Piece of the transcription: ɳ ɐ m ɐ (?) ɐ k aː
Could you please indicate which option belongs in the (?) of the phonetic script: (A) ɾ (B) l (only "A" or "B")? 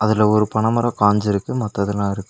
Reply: A